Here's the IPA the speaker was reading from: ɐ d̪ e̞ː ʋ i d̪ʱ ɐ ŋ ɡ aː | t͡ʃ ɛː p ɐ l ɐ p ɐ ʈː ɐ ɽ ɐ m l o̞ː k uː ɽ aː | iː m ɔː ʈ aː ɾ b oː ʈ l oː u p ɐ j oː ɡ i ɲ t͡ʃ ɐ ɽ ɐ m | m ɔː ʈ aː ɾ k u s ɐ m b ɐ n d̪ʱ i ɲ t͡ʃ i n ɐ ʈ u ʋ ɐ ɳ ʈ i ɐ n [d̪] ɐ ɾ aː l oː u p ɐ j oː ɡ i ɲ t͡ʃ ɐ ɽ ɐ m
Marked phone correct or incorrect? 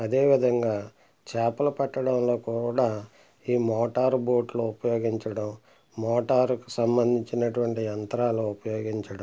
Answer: incorrect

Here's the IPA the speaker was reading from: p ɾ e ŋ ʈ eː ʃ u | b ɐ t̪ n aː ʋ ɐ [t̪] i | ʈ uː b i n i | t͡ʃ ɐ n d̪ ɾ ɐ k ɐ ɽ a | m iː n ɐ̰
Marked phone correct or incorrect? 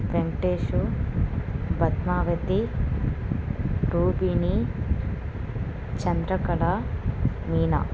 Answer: correct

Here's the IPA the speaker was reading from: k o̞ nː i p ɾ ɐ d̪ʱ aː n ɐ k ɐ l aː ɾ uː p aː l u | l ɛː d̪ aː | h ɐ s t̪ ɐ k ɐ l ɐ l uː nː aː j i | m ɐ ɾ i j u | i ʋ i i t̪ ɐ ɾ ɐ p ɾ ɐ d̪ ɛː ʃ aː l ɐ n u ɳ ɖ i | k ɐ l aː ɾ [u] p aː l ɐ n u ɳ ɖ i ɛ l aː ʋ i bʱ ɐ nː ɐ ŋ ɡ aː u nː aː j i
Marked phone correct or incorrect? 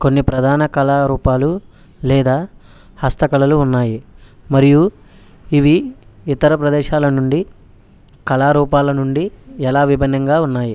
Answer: incorrect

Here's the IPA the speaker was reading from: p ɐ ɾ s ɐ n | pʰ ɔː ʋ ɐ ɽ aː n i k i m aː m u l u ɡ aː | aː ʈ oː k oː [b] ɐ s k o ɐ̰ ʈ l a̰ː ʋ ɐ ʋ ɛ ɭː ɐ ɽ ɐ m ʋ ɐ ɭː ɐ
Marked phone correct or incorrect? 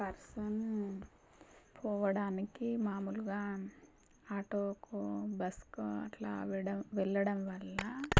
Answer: correct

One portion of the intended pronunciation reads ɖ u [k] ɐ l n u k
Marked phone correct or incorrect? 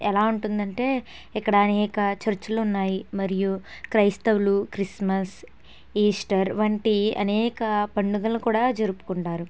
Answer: incorrect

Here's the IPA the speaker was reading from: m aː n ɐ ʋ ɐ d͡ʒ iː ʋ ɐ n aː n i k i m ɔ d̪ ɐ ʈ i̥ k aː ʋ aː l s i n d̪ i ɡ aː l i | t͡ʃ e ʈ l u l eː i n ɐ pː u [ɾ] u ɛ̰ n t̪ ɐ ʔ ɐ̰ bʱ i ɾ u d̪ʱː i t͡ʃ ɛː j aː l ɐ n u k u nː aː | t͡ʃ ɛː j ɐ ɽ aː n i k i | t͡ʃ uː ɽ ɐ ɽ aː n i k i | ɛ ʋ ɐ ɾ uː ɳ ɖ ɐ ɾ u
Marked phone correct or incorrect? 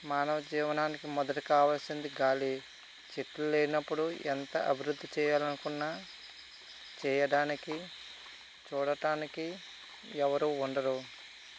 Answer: incorrect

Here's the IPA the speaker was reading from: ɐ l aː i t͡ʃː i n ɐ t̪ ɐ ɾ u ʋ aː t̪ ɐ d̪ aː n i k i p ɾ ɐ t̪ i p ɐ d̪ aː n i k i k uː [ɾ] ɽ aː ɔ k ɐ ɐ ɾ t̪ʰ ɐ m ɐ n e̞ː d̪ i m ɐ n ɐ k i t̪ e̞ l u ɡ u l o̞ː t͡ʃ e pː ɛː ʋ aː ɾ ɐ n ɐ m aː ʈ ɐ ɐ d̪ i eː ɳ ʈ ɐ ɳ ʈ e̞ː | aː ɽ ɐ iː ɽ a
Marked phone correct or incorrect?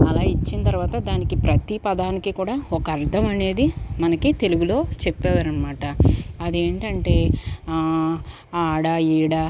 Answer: incorrect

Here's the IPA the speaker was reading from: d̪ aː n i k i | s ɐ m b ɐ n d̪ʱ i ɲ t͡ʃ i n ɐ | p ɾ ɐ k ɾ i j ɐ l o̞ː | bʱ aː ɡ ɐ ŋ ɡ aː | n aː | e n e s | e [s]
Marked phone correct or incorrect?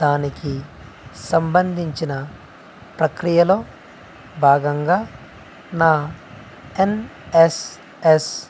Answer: correct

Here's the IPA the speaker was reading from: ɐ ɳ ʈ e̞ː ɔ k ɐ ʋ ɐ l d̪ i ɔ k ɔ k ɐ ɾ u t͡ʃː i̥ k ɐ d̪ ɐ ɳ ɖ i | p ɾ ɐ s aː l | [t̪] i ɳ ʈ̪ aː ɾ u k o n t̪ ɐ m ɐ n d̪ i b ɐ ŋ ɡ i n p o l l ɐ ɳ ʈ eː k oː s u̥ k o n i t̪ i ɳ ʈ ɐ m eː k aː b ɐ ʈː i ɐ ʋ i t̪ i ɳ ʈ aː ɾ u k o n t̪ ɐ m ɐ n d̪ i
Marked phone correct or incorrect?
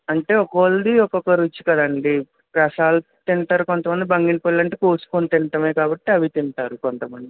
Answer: correct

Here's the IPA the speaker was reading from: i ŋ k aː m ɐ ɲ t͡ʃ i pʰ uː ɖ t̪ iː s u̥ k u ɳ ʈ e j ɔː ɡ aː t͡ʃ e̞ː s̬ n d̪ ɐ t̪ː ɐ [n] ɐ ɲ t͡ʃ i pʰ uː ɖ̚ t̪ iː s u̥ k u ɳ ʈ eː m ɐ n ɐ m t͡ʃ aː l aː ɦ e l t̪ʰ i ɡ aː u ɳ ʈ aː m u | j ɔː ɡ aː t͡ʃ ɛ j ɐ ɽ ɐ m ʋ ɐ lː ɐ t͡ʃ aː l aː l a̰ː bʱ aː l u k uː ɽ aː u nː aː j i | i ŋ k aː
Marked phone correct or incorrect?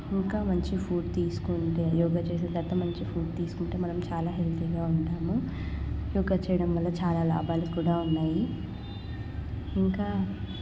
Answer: incorrect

